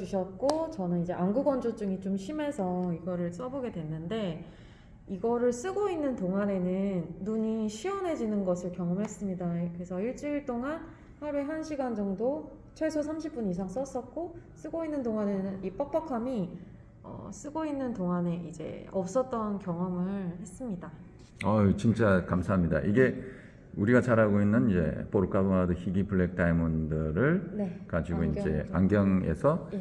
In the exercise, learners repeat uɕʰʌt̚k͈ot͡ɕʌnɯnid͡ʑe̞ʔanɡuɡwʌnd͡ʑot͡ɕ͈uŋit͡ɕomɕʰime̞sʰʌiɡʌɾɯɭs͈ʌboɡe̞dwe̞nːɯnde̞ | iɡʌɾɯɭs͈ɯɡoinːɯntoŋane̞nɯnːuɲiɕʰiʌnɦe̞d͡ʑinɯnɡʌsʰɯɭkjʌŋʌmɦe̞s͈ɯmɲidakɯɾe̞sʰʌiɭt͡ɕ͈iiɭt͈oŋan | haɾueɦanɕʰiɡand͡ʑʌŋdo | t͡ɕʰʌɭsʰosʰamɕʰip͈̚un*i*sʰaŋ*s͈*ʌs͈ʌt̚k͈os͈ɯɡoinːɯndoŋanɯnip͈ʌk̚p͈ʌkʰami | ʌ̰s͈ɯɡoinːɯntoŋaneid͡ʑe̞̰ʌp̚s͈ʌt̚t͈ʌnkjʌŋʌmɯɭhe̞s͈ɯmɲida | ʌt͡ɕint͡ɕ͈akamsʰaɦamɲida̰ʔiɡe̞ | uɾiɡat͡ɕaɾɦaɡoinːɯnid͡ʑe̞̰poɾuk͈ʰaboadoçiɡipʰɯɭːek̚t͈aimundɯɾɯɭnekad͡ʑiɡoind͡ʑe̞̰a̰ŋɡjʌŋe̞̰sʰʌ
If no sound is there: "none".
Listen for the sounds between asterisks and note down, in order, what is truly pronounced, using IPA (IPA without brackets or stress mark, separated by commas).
i, s͈